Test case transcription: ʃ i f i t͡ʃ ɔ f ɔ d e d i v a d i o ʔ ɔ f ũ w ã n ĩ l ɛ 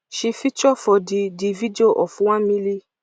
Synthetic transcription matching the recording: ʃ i f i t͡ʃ ɔ f ɔ d i d i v i d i o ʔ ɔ f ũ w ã m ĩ l i